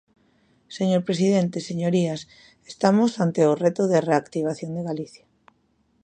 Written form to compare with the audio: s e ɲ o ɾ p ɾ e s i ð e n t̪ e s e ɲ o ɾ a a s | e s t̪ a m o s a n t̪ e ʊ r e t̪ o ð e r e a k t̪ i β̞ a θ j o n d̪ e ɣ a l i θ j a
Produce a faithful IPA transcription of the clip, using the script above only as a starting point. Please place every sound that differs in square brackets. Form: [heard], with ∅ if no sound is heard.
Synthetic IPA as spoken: s e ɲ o ɾ p ɾ e s i ð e n t̪ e s e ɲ o ɾ [i] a s | e s t̪ a m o s a n t̪ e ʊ r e t̪ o ð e r e a k t̪ i β̞ a θ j o n d̪ e ɣ a l i θ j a